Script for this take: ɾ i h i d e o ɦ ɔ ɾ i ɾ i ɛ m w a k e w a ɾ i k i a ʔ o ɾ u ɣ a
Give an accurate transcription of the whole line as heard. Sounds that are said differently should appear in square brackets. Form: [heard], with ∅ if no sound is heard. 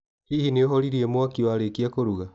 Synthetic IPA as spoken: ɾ i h i [n] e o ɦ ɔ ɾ i ɾ i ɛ m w a k [i] w a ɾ [e] k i a [k] o ɾ u ɣ a